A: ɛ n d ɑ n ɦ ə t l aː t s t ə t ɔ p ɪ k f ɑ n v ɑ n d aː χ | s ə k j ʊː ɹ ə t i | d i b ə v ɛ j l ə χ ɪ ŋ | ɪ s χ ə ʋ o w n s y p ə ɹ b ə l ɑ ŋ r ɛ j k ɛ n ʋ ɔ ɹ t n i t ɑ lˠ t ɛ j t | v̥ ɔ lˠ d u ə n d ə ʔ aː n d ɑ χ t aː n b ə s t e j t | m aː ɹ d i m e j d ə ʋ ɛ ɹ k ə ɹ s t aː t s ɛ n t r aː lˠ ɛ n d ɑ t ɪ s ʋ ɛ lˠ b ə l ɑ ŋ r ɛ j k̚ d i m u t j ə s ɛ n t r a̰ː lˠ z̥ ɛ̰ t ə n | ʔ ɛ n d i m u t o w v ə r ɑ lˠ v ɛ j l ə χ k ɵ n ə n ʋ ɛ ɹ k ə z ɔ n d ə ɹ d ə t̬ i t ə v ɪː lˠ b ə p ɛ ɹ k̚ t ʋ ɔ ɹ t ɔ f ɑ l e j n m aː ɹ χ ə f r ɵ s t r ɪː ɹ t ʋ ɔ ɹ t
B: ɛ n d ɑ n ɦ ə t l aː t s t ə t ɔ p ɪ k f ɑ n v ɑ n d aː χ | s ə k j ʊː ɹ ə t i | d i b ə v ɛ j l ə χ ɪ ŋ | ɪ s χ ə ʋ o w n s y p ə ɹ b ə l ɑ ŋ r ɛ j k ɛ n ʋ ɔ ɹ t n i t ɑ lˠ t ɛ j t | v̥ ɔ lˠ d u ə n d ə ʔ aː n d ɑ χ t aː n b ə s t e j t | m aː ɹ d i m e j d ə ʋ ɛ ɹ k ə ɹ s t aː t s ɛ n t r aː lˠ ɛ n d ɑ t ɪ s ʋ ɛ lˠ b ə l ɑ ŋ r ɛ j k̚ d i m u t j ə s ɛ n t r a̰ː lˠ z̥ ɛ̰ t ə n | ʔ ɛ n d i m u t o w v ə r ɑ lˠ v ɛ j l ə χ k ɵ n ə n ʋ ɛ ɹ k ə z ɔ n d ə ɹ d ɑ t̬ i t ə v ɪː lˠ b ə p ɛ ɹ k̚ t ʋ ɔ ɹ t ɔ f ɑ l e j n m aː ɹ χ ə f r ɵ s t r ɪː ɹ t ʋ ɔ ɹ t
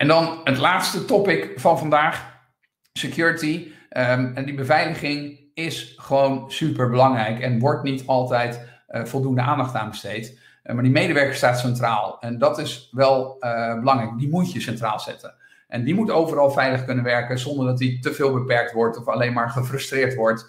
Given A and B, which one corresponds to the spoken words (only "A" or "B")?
B